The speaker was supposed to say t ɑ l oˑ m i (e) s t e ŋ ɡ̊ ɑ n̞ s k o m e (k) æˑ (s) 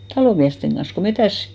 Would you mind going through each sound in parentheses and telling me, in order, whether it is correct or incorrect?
incorrect: æ, incorrect: t, correct

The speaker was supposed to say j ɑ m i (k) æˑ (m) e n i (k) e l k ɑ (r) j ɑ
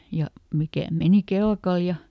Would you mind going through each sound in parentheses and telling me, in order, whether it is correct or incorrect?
correct, correct, correct, incorrect: l

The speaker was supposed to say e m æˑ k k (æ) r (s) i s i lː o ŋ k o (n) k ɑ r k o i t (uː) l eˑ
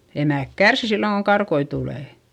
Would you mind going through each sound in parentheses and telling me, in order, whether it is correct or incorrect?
correct, correct, incorrect: ŋ, incorrect: u

